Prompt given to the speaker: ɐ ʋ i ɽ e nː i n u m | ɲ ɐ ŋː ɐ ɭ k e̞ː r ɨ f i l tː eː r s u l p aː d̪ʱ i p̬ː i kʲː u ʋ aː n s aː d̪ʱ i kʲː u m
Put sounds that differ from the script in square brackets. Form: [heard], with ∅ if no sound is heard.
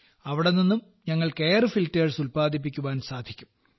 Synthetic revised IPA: ɐ ʋ i ɽ e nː i [nː] u m | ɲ ɐ ŋː ɐ ɭ k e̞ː r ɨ f i l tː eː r s u l p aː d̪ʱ i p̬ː i kʲː u ʋ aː n s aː d̪ʱ i kʲː u m